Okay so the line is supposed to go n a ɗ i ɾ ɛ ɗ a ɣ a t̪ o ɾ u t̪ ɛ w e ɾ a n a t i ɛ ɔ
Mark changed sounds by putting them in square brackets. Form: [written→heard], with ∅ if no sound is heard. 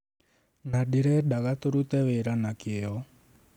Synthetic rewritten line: n a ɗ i ɾ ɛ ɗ a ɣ a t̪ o ɾ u t̪ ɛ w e ɾ a n a [t→k] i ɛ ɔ